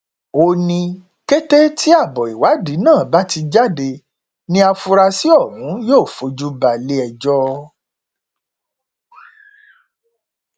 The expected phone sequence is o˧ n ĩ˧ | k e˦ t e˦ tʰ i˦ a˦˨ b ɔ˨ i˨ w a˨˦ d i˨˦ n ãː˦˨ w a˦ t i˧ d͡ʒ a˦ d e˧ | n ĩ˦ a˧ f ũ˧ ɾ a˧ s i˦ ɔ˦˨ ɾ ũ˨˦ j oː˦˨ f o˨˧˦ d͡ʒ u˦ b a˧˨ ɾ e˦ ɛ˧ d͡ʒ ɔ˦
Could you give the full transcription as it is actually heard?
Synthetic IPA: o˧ n ĩ˧ | k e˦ t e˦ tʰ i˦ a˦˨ b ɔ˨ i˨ w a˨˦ d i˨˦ n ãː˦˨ b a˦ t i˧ d͡ʒ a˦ d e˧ | n ĩ˦ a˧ f u˧ ɾ a˧ s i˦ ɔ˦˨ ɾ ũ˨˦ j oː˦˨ f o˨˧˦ d͡ʒ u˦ b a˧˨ l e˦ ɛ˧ d͡ʒ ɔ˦